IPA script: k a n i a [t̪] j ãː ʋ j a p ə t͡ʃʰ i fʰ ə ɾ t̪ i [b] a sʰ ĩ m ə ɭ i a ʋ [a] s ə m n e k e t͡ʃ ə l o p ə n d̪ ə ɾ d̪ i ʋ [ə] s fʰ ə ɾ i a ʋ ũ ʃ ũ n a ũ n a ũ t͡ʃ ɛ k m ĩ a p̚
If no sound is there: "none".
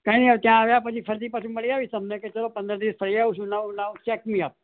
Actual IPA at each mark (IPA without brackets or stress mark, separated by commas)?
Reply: t̪, p, i, ə